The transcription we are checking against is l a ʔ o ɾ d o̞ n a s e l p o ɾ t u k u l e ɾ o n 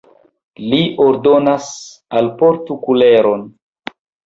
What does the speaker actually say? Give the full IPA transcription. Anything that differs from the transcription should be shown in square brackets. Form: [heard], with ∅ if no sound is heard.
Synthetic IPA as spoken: l [i] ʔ o ɾ d o̞ n a s [a] l p o ɾ t u k u l e ɾ o n

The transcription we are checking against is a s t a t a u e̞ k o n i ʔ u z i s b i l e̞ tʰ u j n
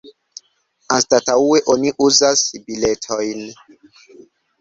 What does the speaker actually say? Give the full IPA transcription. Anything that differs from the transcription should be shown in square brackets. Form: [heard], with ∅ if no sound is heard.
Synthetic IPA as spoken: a s t a t a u e̞ [ʔ] o n i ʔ u z [a] s b i l e̞ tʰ [o] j n

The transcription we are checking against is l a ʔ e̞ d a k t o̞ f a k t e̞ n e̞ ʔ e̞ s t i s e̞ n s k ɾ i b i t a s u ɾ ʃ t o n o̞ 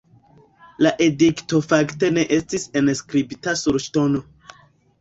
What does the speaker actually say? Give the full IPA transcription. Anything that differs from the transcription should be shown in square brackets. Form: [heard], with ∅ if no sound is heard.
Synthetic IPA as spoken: l a ʔ e̞ d [i] k t o̞ f a k t e̞ n e̞ ʔ e̞ s t i s e̞ n s k ɾ i b i t a s u ɾ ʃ t o n o̞

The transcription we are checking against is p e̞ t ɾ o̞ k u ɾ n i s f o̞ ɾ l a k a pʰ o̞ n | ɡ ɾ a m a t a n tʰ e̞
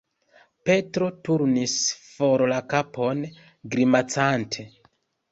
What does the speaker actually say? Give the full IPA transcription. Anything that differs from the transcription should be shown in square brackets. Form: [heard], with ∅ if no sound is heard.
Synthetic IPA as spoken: p e̞ t ɾ o̞ [t] u ɾ n i s f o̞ ɾ l a k a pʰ o̞ n | ɡ ɾ [i] m a [t͡s] a n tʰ e̞

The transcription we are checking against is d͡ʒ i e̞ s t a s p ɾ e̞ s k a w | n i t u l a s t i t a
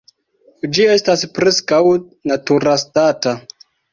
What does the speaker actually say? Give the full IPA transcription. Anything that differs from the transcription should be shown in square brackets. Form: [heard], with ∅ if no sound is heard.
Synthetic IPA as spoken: d͡ʒ i e̞ s t a s p ɾ e̞ s k a w | n [a] t u [ɾ] a s t [a] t a

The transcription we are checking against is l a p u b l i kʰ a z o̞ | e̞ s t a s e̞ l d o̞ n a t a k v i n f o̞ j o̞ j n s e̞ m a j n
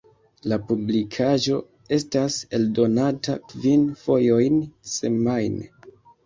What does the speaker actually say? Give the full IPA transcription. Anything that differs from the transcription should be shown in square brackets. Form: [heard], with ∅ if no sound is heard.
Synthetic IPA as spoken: l a p u b l i kʰ a [ʒ] o̞ | e̞ s t a s e̞ l d o̞ n a t a k v i n f o̞ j o̞ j n s e̞ m a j n

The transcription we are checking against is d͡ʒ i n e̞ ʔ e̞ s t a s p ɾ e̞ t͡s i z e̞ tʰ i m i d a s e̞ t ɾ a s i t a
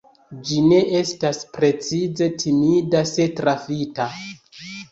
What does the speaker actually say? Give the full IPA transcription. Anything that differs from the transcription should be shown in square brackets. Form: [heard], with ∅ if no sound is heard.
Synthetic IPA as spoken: d͡ʒ i n e̞ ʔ e̞ s t a s p ɾ e̞ t͡s i z e̞ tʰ i m i d a s e̞ t ɾ a [f] i t a

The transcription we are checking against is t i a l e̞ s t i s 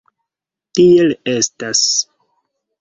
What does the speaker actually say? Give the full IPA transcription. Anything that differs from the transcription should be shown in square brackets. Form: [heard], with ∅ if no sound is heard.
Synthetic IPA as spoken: t i [e] l e̞ s t [a] s

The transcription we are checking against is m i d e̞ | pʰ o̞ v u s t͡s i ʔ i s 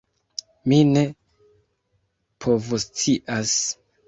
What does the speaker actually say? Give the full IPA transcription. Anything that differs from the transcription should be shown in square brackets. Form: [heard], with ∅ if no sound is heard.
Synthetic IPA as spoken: m i [n] e̞ | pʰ o̞ v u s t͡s i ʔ [a] s

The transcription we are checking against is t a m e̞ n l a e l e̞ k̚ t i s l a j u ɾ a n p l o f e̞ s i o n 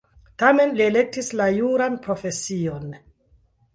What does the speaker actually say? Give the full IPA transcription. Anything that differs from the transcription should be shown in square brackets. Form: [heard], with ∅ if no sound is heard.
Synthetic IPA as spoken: t a m e̞ n l [i] e l e̞ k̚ t i s l a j u ɾ a n p [ɾ] o f e̞ s i o n

